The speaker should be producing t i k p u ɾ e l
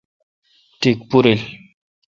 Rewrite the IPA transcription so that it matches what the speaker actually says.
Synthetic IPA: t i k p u ɾ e l